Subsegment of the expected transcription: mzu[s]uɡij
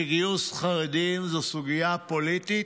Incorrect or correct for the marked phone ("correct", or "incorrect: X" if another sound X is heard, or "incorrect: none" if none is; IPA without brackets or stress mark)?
correct